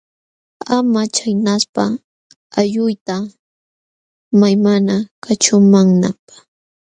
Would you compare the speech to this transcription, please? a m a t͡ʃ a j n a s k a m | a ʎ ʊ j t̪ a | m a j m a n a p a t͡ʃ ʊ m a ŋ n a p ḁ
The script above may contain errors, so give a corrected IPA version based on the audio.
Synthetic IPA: a m a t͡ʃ a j n a s p a | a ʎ ʊ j t̪ a | m a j m a n a k a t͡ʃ ʊ m a ŋ n a p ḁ